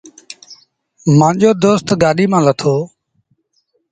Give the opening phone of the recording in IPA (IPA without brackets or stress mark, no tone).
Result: m